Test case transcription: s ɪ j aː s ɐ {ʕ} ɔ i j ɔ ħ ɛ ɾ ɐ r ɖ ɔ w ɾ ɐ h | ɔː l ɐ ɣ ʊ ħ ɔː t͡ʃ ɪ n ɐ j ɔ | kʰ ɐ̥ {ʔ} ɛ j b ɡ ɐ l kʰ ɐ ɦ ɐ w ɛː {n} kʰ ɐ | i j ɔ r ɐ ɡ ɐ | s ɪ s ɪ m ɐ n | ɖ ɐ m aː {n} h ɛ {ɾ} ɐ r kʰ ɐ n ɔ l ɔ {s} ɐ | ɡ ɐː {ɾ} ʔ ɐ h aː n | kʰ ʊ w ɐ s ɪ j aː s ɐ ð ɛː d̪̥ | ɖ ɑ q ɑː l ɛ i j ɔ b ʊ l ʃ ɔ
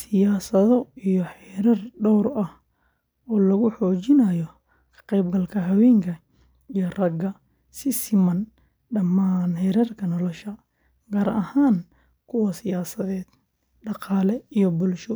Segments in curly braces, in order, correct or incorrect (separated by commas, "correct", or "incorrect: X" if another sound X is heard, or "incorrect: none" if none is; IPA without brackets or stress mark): incorrect: ð, incorrect: q, incorrect: ŋ, correct, correct, incorrect: ʃ, correct